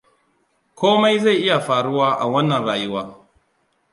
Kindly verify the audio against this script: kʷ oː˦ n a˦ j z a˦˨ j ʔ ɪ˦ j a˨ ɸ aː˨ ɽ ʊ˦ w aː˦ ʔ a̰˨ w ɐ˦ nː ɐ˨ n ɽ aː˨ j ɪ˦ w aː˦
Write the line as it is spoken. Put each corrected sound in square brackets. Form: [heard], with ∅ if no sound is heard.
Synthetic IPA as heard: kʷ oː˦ [m] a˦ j z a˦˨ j ʔ ɪ˦ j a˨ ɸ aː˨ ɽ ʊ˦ w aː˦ ʔ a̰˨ w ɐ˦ nː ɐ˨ n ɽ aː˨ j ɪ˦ w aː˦